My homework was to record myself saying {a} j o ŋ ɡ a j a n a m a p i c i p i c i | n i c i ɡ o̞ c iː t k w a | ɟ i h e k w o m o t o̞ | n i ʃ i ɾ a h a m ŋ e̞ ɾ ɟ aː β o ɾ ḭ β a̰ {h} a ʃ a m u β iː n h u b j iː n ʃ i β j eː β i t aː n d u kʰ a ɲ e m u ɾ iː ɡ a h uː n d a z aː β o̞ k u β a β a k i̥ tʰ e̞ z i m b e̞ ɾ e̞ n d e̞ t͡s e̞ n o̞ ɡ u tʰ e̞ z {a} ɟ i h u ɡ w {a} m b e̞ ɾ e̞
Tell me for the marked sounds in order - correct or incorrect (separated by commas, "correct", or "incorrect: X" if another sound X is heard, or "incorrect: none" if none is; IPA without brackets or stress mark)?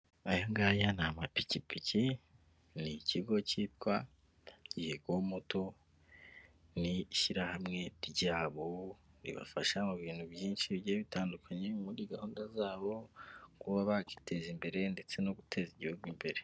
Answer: correct, incorrect: f, incorrect: i, incorrect: i